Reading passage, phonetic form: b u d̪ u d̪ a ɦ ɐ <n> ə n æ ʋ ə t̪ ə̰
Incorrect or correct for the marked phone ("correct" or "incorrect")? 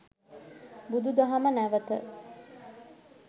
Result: incorrect